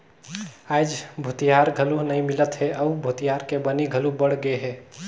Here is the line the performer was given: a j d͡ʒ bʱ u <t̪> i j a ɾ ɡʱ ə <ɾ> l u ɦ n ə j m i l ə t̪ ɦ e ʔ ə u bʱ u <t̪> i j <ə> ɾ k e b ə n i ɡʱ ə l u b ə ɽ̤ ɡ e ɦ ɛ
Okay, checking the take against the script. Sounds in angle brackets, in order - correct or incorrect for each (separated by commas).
correct, incorrect, correct, incorrect